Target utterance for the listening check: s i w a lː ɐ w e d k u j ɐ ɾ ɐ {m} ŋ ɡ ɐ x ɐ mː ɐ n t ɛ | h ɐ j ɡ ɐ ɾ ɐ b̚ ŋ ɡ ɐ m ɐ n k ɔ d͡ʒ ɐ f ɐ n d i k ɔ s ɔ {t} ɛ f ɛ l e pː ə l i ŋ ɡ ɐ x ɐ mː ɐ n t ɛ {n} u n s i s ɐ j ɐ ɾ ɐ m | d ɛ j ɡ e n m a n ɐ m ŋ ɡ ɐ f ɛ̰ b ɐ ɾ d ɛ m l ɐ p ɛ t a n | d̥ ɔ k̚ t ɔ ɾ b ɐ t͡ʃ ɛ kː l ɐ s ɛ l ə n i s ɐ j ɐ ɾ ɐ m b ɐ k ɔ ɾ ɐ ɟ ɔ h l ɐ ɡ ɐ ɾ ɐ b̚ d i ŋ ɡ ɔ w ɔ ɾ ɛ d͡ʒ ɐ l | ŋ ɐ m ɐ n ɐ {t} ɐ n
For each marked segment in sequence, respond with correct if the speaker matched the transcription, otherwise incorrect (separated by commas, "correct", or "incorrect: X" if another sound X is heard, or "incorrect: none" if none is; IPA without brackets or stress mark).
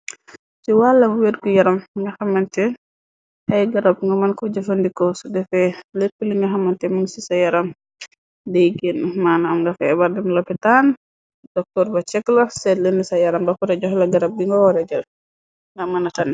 correct, incorrect: d, incorrect: m, correct